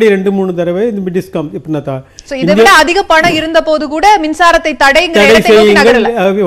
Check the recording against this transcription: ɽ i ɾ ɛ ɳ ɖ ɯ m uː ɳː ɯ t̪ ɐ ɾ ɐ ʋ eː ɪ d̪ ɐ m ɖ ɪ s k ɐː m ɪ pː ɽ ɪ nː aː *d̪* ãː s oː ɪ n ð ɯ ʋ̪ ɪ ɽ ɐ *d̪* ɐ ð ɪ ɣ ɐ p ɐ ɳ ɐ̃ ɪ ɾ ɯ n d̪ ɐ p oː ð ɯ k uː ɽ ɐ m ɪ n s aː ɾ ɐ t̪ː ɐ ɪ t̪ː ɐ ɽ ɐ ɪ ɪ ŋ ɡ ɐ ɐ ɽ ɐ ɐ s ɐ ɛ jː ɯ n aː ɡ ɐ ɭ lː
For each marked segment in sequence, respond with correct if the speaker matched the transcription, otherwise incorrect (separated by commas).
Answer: incorrect, incorrect